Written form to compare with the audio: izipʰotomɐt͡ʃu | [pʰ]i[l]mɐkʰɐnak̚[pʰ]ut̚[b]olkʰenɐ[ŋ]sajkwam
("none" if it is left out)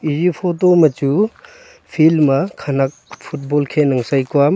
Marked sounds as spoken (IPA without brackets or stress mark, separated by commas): pʰ, l, pʰ, b, ŋ